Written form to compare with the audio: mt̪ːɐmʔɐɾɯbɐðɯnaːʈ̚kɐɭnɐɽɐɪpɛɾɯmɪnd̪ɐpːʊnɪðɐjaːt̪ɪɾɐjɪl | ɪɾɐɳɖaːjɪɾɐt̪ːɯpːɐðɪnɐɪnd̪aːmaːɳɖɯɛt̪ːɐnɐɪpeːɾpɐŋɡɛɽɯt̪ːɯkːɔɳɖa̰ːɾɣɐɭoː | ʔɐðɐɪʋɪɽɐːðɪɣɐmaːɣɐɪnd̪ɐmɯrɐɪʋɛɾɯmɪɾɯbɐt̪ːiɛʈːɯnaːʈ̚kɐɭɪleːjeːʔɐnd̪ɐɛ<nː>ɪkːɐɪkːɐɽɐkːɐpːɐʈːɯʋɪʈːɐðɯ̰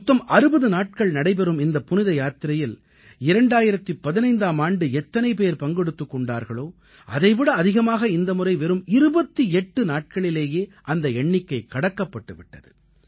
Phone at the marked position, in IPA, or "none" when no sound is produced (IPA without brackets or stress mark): ɳː